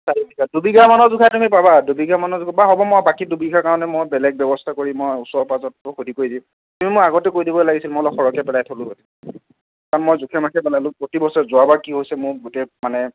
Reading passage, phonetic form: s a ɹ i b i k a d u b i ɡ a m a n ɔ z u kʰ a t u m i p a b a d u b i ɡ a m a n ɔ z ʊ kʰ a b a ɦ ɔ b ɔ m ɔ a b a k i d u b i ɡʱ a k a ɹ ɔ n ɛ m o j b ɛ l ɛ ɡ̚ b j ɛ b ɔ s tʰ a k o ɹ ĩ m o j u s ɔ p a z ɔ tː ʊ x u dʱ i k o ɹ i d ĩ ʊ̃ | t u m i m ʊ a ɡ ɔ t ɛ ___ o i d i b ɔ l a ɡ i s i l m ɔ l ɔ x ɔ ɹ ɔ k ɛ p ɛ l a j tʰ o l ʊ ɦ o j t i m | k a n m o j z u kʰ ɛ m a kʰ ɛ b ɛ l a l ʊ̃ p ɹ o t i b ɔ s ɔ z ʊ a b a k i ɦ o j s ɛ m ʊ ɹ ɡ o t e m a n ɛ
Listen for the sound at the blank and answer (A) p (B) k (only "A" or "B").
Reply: B